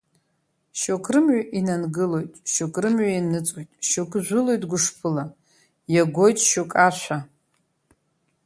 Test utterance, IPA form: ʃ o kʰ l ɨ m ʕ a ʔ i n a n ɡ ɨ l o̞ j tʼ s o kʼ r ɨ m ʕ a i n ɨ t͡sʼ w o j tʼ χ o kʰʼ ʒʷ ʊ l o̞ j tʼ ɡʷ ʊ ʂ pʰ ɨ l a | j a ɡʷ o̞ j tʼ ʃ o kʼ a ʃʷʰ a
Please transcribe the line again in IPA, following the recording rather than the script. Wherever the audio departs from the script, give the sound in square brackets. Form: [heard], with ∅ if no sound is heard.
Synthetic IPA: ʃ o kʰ [r] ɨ m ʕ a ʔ i n a n ɡ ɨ l o̞ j tʼ [ʃ] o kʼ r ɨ m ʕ a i n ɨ t͡sʼ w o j tʼ [ʃ] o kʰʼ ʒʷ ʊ l o̞ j tʼ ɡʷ ʊ ʂ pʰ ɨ l a | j a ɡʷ o̞ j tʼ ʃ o kʼ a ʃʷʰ a